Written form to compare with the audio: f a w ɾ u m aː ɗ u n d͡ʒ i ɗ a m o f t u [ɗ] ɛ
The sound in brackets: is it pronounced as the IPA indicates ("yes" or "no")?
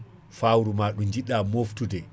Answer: no